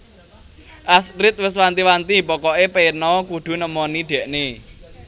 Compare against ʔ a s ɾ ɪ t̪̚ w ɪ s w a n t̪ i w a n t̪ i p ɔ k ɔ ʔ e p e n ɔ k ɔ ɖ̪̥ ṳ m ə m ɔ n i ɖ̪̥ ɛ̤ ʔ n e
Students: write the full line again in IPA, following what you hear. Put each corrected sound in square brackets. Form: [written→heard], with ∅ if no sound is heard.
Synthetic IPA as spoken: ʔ a s ɾ ɪ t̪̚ w ɪ s w a n t̪ i w a n t̪ i p ɔ k ɔ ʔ e p e n ɔ k [ɔ→u] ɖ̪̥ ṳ [m→n] ə m ɔ n i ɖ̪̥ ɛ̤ ʔ n e